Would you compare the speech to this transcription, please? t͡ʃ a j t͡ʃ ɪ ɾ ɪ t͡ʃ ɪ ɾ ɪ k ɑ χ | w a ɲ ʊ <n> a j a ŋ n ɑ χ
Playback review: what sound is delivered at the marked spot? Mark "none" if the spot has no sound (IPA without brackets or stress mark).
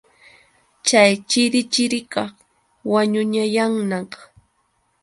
ɲ